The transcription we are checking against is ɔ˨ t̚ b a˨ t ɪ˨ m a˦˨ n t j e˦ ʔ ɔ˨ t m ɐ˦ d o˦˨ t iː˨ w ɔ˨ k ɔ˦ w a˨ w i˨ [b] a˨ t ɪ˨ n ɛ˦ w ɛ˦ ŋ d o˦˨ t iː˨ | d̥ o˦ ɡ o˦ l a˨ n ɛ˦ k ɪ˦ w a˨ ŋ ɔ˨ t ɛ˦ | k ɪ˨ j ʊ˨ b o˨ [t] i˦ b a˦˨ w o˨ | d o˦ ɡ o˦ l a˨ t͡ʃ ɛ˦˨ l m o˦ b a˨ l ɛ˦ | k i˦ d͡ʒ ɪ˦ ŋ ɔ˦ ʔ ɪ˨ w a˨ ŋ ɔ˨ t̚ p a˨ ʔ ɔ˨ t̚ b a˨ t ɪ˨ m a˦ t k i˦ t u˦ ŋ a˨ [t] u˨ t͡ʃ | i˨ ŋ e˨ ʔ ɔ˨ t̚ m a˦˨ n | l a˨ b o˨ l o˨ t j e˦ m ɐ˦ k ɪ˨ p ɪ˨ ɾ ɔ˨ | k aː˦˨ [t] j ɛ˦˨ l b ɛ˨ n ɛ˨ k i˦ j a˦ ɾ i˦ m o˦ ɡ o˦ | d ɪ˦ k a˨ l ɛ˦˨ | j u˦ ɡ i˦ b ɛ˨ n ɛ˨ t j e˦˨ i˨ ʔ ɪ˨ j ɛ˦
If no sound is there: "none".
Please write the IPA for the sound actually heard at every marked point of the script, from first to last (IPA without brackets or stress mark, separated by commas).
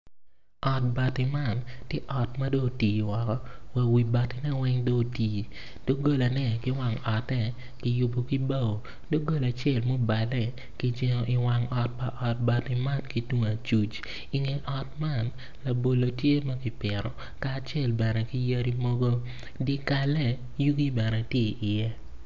b, k, t͡ʃ, t͡ʃ